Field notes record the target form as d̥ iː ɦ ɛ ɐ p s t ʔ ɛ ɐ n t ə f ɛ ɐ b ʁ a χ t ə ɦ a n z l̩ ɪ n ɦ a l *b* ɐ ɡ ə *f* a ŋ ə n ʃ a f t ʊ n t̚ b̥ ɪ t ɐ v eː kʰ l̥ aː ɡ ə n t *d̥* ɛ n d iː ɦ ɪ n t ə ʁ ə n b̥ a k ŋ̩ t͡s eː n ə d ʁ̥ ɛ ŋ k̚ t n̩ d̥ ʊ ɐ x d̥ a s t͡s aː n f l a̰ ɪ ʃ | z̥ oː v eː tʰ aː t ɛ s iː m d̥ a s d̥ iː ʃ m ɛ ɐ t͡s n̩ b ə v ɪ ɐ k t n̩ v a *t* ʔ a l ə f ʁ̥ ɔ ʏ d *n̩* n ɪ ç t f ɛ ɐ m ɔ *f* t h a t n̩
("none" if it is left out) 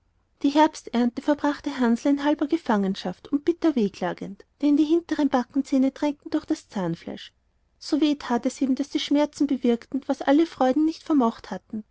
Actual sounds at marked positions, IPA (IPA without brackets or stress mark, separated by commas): b, f, d̥, s, n̩, χ